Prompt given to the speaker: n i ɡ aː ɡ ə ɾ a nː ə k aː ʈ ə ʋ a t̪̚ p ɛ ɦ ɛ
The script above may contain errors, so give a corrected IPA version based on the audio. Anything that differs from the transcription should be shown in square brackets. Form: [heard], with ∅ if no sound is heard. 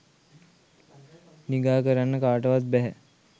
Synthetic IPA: n i ɡ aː [k] ə ɾ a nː ə k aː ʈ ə ʋ a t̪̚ [b] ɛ ɦ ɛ